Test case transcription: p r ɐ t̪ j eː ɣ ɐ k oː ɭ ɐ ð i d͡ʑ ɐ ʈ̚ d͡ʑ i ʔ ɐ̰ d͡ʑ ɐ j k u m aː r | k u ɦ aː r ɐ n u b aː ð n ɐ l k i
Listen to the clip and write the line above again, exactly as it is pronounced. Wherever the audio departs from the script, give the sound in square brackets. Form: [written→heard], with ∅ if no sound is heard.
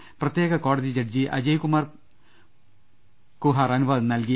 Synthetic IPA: p r ɐ t̪ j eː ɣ ɐ k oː [ɭ→ɽ] ɐ ð i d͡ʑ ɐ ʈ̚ d͡ʑ i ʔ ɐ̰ d͡ʑ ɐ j k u m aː r | k u ɦ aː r ɐ n u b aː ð n ɐ l k i